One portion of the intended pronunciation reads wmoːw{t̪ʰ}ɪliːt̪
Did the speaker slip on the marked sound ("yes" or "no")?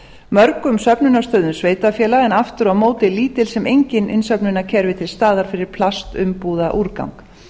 yes